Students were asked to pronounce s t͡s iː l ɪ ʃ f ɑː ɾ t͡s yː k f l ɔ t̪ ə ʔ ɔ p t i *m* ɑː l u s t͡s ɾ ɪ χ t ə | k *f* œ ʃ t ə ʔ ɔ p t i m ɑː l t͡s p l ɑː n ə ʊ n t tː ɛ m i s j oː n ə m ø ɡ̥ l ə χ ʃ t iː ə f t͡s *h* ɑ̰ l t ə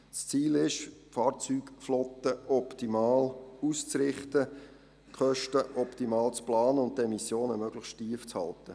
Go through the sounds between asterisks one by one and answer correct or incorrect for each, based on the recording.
correct, incorrect: χ, correct

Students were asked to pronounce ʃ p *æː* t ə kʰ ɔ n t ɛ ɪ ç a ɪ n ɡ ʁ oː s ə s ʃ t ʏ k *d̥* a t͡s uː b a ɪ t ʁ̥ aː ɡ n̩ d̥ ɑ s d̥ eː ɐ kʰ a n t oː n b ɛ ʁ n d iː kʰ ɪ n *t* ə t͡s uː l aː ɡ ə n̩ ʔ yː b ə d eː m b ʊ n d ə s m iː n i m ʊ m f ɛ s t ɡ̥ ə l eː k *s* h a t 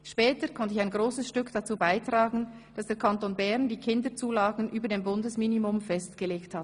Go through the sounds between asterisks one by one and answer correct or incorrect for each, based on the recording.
incorrect: ɛː, correct, incorrect: d, incorrect: t

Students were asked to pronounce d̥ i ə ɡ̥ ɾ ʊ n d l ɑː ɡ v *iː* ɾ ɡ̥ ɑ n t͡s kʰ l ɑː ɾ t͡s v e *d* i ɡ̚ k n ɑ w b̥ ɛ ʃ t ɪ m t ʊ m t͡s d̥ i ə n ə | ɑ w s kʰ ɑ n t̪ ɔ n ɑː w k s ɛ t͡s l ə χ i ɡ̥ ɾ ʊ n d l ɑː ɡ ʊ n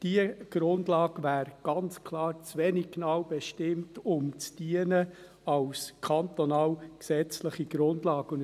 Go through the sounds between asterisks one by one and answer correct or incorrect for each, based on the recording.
incorrect: æː, incorrect: n

